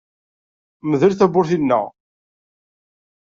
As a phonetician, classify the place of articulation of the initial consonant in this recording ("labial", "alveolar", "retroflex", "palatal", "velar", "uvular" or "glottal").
labial